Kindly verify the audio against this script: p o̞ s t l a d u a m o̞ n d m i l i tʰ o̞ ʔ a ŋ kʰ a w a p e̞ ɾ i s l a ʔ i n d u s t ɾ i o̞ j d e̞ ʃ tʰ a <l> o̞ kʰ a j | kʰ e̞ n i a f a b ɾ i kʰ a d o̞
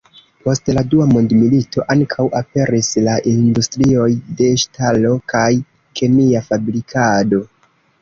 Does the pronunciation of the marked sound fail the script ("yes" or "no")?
no